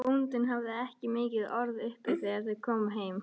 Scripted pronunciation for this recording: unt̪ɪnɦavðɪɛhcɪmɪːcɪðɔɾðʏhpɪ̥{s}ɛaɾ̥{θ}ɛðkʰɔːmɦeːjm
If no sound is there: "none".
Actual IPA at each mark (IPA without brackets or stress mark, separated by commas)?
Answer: θ, θ